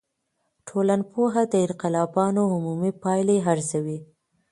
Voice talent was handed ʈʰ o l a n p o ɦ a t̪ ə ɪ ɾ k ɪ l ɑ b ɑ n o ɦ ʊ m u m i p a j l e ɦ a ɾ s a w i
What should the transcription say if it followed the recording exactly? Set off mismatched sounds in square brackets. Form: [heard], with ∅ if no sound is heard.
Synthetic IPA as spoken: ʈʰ o l a n p o ɦ a [d̪] ə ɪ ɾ [q] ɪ l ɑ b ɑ n o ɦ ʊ m u m i p [ɑ] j l e ɦ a ɾ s a w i